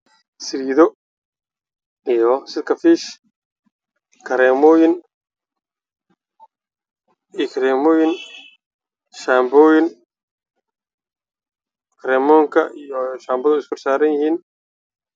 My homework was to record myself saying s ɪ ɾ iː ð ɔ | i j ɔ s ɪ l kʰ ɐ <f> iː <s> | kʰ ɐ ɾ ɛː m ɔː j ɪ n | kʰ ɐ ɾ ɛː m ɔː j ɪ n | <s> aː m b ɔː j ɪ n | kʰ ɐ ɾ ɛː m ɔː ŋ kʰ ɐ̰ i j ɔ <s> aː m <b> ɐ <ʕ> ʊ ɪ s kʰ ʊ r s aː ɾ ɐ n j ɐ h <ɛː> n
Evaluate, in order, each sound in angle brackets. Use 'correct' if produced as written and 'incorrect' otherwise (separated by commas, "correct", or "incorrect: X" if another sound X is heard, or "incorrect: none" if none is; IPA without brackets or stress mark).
correct, incorrect: ʃ, incorrect: ʃ, incorrect: ʃ, correct, incorrect: ð, incorrect: iː